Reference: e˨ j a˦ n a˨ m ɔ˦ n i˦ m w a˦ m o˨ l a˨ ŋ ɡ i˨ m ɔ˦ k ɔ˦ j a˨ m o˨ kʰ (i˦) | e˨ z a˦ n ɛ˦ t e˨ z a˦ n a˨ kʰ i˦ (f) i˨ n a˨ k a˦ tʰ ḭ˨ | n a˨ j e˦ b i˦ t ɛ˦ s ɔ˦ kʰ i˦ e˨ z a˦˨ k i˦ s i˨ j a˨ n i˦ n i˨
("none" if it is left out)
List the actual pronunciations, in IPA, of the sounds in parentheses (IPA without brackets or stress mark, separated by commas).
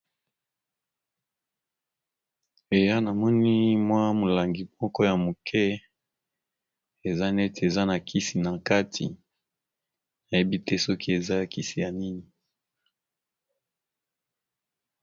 ɛ˦, s